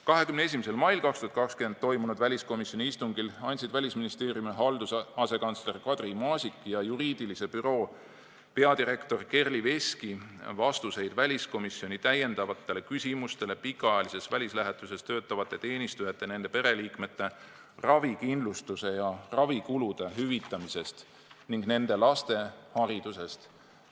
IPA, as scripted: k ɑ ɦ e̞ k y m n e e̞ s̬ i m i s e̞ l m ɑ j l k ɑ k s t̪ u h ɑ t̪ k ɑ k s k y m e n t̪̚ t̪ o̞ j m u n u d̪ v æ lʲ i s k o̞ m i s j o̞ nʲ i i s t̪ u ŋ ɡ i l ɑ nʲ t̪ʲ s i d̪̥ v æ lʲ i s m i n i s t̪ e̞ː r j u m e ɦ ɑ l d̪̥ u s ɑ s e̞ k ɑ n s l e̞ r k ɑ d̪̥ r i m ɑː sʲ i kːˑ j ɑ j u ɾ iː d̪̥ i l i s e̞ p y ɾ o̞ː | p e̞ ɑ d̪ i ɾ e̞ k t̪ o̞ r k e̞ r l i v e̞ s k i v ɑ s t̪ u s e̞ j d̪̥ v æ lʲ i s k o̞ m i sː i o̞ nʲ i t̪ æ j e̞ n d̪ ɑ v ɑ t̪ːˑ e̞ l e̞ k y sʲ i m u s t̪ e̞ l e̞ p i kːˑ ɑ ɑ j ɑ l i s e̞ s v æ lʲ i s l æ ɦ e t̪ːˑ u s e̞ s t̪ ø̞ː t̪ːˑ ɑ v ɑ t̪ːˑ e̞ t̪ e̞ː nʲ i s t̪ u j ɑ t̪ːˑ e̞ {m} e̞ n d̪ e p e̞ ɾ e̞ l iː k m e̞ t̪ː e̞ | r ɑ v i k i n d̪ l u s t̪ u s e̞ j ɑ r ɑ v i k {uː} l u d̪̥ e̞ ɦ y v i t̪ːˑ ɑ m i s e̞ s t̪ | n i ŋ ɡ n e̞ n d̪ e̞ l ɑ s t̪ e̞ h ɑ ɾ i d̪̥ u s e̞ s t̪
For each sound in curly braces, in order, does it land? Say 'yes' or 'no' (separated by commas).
no, no